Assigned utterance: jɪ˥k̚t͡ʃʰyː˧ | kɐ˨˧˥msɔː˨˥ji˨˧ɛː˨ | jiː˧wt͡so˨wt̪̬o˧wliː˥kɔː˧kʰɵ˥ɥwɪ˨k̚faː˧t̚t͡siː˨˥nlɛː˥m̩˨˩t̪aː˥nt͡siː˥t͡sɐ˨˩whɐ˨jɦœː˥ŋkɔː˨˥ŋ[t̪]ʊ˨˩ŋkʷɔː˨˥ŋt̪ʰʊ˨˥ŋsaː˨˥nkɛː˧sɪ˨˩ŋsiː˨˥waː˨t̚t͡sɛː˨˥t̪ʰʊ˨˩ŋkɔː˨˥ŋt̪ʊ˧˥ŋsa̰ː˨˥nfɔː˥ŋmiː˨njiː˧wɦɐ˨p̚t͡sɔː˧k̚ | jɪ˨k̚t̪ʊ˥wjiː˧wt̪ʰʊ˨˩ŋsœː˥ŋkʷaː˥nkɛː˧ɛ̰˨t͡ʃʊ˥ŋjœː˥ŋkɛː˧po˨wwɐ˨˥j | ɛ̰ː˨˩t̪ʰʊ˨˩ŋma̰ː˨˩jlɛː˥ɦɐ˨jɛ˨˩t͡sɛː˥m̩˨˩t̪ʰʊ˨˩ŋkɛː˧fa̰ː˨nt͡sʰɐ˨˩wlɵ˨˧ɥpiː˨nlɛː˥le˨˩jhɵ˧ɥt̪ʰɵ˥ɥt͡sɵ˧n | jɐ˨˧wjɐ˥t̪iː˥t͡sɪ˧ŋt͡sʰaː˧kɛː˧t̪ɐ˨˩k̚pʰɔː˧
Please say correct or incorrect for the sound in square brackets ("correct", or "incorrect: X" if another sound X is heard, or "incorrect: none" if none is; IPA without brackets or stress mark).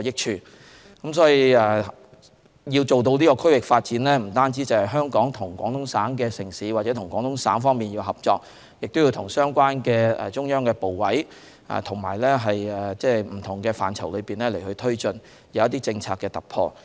incorrect: t̪ʰ